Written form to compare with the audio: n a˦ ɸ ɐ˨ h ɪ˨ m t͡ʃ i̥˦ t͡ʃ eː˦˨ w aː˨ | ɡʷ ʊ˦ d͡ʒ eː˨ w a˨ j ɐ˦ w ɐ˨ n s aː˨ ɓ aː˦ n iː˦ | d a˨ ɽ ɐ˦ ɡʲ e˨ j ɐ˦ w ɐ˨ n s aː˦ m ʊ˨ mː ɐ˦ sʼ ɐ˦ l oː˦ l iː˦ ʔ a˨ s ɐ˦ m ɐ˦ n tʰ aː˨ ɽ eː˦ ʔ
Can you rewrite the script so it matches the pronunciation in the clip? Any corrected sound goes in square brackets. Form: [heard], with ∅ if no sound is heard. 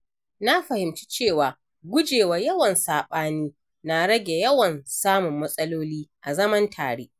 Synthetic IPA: n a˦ ɸ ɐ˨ h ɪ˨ m t͡ʃ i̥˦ t͡ʃ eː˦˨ w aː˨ | ɡʷ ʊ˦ d͡ʒ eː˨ w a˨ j ɐ˦ w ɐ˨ n s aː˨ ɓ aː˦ n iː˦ | [n] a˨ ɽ ɐ˦ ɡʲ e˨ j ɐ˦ w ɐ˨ n s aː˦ m ʊ˨ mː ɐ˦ sʼ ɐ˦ l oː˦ l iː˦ ʔ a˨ [z] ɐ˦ m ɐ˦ n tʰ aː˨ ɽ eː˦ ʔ